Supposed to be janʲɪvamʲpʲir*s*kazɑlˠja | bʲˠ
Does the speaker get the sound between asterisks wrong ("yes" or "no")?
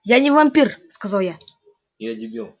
no